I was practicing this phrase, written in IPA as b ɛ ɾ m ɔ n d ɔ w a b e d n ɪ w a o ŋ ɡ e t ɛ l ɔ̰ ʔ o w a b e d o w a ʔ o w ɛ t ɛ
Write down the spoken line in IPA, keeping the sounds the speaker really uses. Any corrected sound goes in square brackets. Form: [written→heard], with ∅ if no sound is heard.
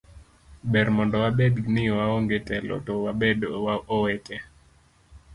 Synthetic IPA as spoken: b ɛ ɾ m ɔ n d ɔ w a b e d n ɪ w a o ŋ ɡ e t ɛ l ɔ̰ [ʔ→t] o w a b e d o w a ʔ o w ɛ t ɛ